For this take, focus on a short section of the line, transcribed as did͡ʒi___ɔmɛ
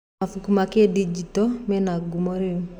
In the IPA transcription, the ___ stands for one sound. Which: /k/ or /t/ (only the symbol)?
t